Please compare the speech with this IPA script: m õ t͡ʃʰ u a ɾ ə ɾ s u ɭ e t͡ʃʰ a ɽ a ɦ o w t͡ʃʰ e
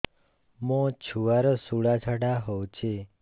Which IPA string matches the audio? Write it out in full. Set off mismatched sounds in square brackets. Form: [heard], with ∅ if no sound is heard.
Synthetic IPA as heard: m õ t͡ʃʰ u a ɾ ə [∅] s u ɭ [a] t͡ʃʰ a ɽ a ɦ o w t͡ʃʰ e